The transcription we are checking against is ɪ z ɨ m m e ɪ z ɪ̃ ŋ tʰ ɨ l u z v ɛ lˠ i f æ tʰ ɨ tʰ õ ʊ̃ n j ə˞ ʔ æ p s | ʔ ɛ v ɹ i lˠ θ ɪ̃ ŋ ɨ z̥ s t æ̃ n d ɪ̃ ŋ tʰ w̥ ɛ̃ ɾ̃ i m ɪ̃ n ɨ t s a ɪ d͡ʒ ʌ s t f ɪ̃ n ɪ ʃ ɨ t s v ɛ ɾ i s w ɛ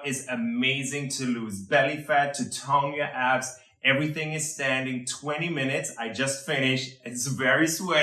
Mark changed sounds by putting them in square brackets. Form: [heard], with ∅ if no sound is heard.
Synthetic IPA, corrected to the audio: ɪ z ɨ m m e ɪ z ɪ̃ ŋ tʰ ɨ l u z [b] ɛ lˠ i f æ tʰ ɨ tʰ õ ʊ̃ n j ə˞ ʔ æ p s | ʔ ɛ v ɹ i [∅] θ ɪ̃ ŋ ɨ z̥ s t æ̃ n d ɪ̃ ŋ tʰ w̥ ɛ̃ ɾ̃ i m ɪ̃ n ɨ t s a ɪ d͡ʒ ʌ s t f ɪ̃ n ɪ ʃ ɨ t s v ɛ [ɹ] i s w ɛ